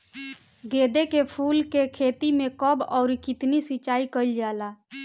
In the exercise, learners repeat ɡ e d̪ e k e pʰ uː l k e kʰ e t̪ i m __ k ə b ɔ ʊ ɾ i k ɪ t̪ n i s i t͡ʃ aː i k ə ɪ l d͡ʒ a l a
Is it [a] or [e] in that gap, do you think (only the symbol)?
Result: e